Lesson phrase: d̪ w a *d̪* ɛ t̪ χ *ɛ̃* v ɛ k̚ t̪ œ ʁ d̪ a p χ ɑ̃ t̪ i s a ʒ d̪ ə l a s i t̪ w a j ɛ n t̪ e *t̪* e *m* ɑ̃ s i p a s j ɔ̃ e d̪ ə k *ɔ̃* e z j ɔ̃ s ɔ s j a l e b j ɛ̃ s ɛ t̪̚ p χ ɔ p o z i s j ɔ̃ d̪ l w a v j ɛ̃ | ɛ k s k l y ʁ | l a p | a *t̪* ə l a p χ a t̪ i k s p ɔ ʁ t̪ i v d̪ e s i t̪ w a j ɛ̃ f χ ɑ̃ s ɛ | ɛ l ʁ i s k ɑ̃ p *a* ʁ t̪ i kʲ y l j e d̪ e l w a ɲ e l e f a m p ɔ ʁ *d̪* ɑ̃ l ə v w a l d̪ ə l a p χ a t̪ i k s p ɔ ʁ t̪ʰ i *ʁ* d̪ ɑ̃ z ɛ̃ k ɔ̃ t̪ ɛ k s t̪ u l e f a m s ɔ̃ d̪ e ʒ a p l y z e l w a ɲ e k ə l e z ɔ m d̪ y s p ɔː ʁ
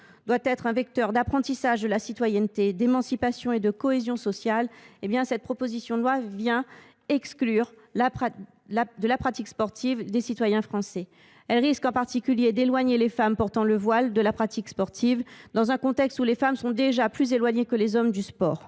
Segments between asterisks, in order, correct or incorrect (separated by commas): incorrect, correct, incorrect, correct, incorrect, incorrect, correct, incorrect, incorrect